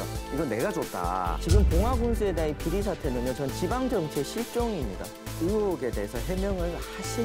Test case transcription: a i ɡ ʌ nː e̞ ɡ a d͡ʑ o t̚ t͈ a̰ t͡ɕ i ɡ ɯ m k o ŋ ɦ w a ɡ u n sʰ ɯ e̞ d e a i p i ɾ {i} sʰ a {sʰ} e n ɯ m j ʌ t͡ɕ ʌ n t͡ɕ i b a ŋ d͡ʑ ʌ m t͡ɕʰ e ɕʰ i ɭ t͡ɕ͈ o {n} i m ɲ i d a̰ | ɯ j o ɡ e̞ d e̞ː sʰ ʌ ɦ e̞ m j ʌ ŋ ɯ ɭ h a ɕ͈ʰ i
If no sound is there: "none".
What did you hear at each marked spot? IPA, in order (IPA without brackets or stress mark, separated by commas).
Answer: i, tʰ, ŋ